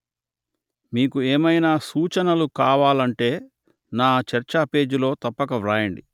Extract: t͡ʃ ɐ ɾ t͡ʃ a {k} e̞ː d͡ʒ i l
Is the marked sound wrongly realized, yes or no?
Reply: yes